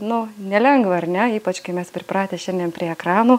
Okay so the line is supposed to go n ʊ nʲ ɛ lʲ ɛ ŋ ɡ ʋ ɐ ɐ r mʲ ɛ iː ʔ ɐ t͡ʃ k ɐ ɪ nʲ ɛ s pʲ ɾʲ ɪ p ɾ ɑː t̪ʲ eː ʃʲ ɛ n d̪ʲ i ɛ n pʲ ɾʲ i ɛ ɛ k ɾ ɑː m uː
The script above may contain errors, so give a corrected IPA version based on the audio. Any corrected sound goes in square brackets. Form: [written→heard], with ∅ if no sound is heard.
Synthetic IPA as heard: n ʊ nʲ ɛ lʲ ɛ ŋ ɡ ʋ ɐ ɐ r [mʲ→nʲ] ɛ iː [ʔ→p] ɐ t͡ʃ k ɐ ɪ [nʲ→mʲ] ɛ s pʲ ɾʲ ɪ p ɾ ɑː t̪ʲ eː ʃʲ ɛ n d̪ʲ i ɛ n pʲ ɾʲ i ɛ ɛ k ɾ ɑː [m→n] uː